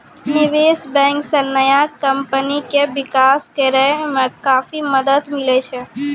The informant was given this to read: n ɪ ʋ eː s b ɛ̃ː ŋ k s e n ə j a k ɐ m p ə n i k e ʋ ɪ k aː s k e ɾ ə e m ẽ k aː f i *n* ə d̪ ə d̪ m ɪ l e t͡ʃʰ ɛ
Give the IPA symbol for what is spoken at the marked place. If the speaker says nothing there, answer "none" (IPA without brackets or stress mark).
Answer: m